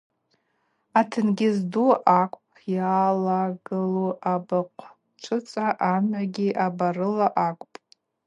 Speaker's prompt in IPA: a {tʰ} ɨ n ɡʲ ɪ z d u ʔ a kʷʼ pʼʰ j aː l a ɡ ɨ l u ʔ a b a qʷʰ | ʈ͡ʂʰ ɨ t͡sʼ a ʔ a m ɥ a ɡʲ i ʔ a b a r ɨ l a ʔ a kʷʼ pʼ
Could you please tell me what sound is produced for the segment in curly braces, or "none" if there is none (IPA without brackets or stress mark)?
tʰ